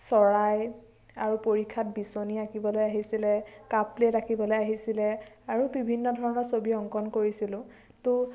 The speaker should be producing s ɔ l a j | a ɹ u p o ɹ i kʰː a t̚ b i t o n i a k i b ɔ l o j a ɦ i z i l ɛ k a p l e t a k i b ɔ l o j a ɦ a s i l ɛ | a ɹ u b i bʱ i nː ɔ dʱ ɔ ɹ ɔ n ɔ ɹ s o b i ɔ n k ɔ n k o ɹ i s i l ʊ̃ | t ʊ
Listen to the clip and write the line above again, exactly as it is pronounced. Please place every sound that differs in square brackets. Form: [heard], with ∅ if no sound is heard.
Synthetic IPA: s ɔ [ɹ] a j | a ɹ u p o ɹ i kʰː a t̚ b i [s] o n i a k i b ɔ l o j a ɦ i [s] i l ɛ k a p l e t a k i b ɔ l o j a ɦ [i] s i l ɛ | a ɹ u b i bʱ i nː ɔ dʱ ɔ ɹ ɔ n ɔ ɹ s o b i ɔ [ŋ] k ɔ n k o ɹ i s i l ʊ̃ | t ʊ